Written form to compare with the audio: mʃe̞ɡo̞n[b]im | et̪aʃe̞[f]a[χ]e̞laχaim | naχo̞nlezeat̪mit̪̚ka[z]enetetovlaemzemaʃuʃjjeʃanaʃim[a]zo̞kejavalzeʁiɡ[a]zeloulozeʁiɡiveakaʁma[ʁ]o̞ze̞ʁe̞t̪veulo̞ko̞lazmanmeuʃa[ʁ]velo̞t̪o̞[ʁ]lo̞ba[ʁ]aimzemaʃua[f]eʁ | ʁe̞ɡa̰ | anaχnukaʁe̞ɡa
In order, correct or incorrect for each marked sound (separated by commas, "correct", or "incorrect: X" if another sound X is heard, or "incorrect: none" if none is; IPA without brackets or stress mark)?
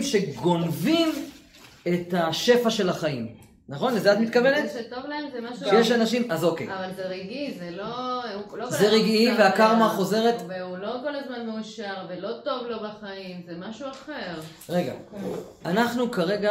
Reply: incorrect: v, correct, incorrect: ʃ, incorrect: v, correct, incorrect: i, incorrect: χ, correct, incorrect: v, incorrect: χ, incorrect: χ